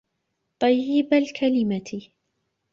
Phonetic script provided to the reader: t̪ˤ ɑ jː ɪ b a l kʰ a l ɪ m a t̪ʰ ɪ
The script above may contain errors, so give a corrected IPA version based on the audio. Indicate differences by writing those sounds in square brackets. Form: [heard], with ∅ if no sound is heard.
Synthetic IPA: t̪ˤ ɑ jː ɪ b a l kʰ a l ɪ m a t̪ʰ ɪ